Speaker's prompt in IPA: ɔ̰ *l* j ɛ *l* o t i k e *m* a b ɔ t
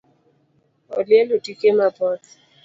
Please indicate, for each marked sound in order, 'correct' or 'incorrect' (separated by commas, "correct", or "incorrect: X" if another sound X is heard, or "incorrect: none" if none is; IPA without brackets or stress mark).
correct, correct, correct